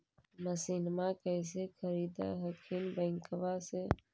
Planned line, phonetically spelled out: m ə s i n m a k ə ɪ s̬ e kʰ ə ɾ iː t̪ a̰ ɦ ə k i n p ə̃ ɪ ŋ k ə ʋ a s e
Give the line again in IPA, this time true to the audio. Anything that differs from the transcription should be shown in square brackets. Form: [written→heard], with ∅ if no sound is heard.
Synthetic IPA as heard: m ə s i n m a k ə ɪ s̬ e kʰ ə ɾ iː [t̪→d̪] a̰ ɦ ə [k→kʰ] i n [p→b] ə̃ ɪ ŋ k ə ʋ a s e